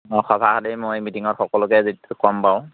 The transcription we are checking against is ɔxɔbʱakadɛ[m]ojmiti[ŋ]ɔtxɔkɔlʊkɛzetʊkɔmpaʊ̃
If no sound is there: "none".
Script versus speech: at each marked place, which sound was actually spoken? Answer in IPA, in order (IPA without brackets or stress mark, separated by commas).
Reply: m, ŋ